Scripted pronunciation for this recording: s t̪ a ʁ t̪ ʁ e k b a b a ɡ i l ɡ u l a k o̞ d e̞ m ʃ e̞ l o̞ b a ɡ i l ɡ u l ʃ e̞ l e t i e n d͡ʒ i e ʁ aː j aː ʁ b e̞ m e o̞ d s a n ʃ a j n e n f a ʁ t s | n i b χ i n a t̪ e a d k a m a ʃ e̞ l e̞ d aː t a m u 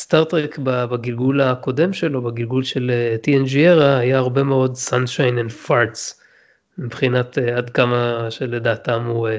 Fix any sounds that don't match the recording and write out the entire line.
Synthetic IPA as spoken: s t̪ a ʁ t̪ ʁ e k b a b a ɡ i l ɡ u l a k o̞ d e̞ m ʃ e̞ l o̞ b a ɡ i l ɡ u l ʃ e̞ l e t i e n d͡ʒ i e ʁ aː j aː ʁ b e̞ m e o̞ d s a n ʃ a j n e n f a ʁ t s | m i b χ i n a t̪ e a d k a m a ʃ e̞ l e̞ d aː t a m u